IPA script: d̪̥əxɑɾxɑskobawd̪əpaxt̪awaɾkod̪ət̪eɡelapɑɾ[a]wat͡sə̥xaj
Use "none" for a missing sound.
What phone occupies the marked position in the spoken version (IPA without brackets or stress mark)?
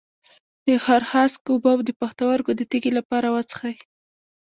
a